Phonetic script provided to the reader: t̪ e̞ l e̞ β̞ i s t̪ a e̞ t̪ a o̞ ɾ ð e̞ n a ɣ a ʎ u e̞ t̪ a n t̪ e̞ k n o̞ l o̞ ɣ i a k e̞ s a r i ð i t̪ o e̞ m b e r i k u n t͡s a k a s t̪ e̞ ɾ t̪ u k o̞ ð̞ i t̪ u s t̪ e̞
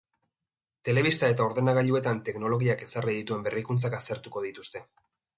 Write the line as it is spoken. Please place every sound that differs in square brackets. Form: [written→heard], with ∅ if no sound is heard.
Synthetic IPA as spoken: t̪ e̞ l e̞ β̞ i s t̪ a e̞ t̪ a o̞ ɾ ð e̞ n a ɣ a ʎ u e̞ t̪ a n t̪ e̞ k n o̞ l o̞ ɣ i a k e̞ s a r i ð i t̪ [o→u] e̞ m b e r i k u n t͡s a k a s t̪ e̞ ɾ t̪ u k o̞ ð̞ i t̪ u s t̪ e̞